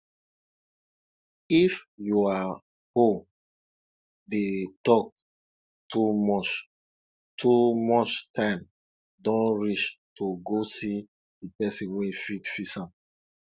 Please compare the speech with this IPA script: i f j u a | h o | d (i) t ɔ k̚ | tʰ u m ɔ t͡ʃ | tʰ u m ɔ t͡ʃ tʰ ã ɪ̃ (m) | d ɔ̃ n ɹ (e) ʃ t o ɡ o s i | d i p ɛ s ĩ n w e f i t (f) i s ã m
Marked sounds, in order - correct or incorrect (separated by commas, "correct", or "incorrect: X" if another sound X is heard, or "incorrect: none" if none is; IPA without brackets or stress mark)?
incorrect: e, correct, incorrect: i, correct